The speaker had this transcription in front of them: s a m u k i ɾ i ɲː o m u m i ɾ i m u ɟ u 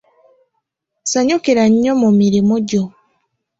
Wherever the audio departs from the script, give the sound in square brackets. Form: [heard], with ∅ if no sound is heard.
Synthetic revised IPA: s a [ɲ] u k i ɾ [a] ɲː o m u m i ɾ i m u ɟ [o]